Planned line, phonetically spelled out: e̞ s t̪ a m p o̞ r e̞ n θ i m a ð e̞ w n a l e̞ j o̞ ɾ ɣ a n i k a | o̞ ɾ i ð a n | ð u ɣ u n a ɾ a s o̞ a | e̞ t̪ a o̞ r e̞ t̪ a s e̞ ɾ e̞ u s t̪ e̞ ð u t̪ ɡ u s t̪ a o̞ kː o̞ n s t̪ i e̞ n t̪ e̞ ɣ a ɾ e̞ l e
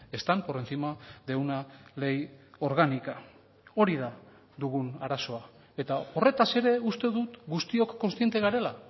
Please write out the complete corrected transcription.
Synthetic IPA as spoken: e̞ s t̪ a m p o̞ r e̞ n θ i m a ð e̞ w n a l e̞ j o̞ ɾ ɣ a n i k a | o̞ ɾ i ð a | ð u ɣ u n a ɾ a s o̞ a | e̞ t̪ a o̞ r e̞ t̪ a s e̞ ɾ e̞ u s t̪ e̞ ð u t̪ ɡ u s t̪ i o̞ kː o̞ n s t̪ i e̞ n t̪ e̞ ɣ a ɾ e̞ l a

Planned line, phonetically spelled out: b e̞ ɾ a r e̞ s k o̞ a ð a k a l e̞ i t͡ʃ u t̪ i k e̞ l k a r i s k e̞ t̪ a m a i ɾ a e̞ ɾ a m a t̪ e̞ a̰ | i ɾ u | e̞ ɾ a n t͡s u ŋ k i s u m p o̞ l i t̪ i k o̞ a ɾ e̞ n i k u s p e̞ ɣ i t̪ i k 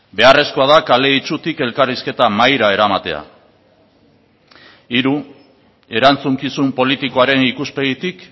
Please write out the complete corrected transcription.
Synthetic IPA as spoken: b e̞ a r e̞ s k o̞ a ð a k a l e̞ i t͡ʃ u t̪ i k e̞ l k a r i s k e̞ t̪ a m a j ɾ a e̞ ɾ a m a t̪ e̞ a̰ | i ɾ u | e̞ ɾ a n t͡s u ŋ k i s u m p o̞ l i t̪ i k o̞ a ɾ e̞ n i k u s p e̞ ɣ i t̪ i k

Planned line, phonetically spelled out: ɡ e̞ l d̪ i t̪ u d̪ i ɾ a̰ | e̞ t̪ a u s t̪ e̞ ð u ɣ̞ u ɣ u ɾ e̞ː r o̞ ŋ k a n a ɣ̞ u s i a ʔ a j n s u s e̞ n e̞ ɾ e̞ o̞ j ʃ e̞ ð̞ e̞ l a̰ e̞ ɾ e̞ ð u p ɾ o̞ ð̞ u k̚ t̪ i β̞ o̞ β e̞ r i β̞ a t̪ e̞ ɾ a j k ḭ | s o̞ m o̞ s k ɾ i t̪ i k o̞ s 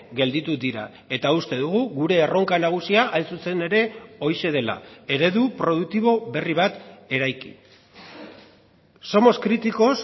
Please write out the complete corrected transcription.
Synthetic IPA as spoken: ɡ e̞ l d̪ i t̪ u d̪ i ɾ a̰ | e̞ t̪ a u s t̪ e̞ ð u ɣ̞ u ɣ u ɾ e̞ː r o̞ ŋ k a n a ɣ̞ u s i a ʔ a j n s u s e̞ n e̞ ɾ e̞ o̞ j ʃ e̞ ð̞ e̞ l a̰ e̞ ɾ e̞ ð u p ɾ o̞ ð̞ u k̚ t̪ i β̞ o̞ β e̞ r i β̞ a t̪ e̞ ɾ a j k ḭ | s o̞ m o̞ s k ɾ i t̪ i k o̞ s

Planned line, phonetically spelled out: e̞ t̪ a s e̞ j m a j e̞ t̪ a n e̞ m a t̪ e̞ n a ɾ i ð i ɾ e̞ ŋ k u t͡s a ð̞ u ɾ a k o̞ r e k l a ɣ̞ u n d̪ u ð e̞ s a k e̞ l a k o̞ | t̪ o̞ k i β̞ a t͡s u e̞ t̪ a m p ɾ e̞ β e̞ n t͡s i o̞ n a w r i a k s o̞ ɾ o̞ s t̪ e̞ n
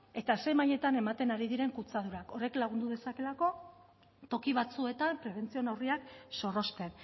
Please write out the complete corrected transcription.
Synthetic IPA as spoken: e̞ t̪ a s e̞ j m a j e̞ t̪ a n e̞ m a t̪ e̞ n a ɾ i ð i ɾ e̞ ŋ k u t͡s a ð̞ u ɾ a k o̞ r e k l a ɣ̞ u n d̪ u ð e̞ s a k e̞ l a k o̞ | t̪ o̞ k i β̞ a t͡s u e̞ t̪ a m p ɾ e̞ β e̞ n t͡s i o̞ n a w r i a k s o̞ r o̞ s t̪ e̞ n

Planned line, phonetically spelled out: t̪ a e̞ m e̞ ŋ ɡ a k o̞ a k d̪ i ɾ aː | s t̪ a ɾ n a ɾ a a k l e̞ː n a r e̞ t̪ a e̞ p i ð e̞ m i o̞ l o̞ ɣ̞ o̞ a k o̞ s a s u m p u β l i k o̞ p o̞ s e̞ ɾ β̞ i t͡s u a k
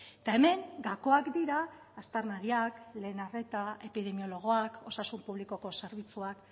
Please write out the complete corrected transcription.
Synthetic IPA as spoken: t̪ a e̞ m e̞ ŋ ɡ a k o̞ a k d̪ i ɾ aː | s t̪ a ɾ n a ɾ i a k l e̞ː n a r e̞ t̪ a e̞ p i ð e̞ m i o̞ l o̞ ɣ̞ o̞ a k o̞ s a s u m p u β l i k o̞ k o̞ s e̞ ɾ β̞ i t͡s u a k

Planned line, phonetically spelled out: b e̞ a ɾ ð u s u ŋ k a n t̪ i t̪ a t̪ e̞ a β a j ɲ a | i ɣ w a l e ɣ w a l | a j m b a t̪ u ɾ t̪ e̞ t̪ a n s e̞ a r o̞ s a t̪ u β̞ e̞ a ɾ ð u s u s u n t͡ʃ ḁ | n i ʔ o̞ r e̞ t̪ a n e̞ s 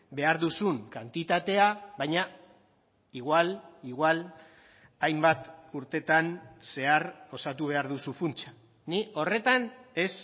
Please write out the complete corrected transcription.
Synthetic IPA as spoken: b e̞ a ɾ ð u s u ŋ k a n t̪ i t̪ a t̪ e̞ a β a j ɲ a | i ɣ w a l i ɣ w a l | a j m b a t̪ u ɾ t̪ e̞ t̪ a n s e̞ a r o̞ s a t̪ u β̞ e̞ a ɾ ð u s u f u n t͡ʃ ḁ | n i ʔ o̞ r e̞ t̪ a n e̞ s

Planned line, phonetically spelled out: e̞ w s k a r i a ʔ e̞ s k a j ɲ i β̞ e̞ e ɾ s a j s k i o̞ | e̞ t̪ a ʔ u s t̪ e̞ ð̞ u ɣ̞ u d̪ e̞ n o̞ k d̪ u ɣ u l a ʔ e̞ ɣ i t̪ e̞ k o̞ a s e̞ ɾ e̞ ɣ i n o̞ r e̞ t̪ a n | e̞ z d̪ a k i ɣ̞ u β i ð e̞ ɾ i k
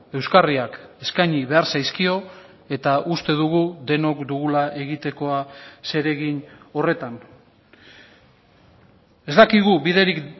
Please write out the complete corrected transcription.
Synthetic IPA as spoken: e̞ w s k a r i a k e̞ s k a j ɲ i β̞ e̞ a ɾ s a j s k i o̞ | e̞ t̪ a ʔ u s t̪ e̞ ð̞ u ɣ̞ u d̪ e̞ n o̞ k d̪ u ɣ u l a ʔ e̞ ɣ i t̪ e̞ k o̞ a s e̞ ɾ e̞ ɣ i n o̞ r e̞ t̪ a n | e̞ z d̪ a k i ɣ̞ u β i ð e̞ ɾ i k

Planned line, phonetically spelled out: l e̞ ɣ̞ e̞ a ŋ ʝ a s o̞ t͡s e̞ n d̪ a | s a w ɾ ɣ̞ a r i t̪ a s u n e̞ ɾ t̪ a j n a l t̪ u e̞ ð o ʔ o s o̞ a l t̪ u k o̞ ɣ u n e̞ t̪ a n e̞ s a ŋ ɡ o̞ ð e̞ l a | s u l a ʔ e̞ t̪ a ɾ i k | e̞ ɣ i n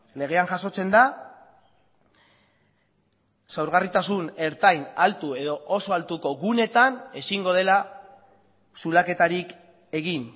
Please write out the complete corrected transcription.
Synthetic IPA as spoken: l e̞ ɣ̞ e̞ a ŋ ʝ a s o̞ t͡s e̞ n d̪ a | s a w ɾ ɣ̞ a r i t̪ a s u n e̞ ɾ t̪ a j n a l t̪ u e̞ ð o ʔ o s o̞ a l t̪ u k o̞ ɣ u n e̞ t̪ a n e̞ s i ŋ ɡ o̞ ð e̞ l a | s u l a k e̞ t̪ a ɾ i k | e̞ ɣ i n

